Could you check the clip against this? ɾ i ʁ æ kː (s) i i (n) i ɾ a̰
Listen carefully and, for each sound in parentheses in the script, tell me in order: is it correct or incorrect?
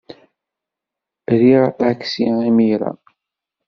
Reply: correct, incorrect: m

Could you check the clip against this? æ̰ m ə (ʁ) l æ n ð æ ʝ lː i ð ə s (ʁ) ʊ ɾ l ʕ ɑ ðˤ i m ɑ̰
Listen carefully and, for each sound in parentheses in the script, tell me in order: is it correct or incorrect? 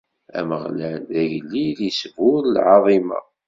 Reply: correct, incorrect: v

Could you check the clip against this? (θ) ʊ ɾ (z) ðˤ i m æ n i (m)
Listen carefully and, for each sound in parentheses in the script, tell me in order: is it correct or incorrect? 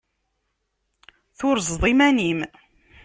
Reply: correct, correct, correct

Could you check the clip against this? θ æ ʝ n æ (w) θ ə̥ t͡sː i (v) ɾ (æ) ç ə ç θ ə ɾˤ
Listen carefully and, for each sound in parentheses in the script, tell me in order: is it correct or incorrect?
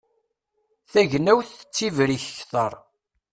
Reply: correct, correct, incorrect: i

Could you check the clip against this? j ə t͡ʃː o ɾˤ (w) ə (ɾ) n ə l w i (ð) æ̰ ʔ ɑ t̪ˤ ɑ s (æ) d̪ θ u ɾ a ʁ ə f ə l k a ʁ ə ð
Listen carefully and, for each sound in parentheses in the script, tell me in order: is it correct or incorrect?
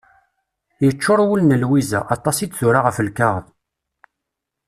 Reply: correct, incorrect: l, incorrect: z, incorrect: i

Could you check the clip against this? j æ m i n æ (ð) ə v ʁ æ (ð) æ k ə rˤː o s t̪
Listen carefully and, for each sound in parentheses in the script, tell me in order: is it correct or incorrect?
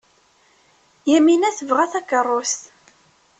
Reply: incorrect: θ, incorrect: θ

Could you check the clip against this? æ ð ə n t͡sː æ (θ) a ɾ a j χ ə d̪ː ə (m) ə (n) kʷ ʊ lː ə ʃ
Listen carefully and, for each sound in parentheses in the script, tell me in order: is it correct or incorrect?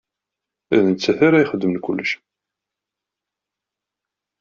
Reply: correct, correct, correct

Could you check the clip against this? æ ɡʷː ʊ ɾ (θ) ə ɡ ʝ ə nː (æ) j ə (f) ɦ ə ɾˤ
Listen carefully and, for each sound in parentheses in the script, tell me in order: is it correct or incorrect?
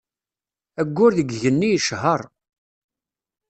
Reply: incorrect: ð, incorrect: i, incorrect: ʃ

